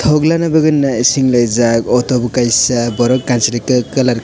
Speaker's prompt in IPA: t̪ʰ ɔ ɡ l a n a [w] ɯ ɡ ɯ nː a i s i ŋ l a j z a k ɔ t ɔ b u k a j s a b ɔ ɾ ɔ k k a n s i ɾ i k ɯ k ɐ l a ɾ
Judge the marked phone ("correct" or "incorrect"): incorrect